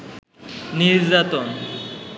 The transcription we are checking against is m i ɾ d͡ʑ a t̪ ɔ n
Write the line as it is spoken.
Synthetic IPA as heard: n i ɾ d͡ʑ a t̪ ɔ n